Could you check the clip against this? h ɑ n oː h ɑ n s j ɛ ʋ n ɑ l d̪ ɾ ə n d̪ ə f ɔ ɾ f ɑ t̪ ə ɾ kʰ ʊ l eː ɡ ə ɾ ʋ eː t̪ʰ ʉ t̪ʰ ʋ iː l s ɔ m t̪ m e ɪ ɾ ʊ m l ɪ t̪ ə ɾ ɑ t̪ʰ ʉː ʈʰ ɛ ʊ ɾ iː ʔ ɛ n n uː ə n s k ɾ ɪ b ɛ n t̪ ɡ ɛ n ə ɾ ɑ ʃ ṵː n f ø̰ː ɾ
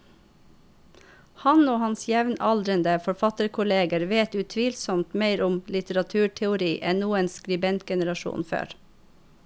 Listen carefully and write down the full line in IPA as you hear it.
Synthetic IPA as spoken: h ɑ n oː h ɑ n s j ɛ ʋ n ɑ l d̪ ɾ ə n d̪ ə f ɔ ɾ f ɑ t̪ ə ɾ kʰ ʊ l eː ɡ ə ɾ ʋ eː t̪ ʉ t̪ʰ ʋ iː l s ɔ m t̪ m e ɪ ɾ ʊ m l ɪ t̪ ə ɾ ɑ t̪ʰ ʉː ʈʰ ɛ ʊ ɾ iː ʔ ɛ n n uː ə n s k ɾ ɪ b ɛ n t̪ ɡ ɛ n ə ɾ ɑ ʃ ṵː n f ø̰ː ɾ